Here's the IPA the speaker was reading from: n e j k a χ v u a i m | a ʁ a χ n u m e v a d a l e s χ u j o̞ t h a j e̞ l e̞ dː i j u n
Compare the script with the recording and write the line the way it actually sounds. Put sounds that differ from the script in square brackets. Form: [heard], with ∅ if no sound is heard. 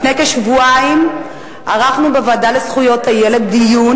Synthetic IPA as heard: n e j k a [ʃ] v u a i m | a ʁ a χ n u [b] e v a d a l e s χ u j o̞ t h a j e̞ l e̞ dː i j u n